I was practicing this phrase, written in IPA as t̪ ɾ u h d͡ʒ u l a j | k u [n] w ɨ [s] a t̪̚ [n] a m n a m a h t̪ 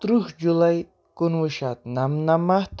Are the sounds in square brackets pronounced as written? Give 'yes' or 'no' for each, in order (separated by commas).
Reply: yes, no, yes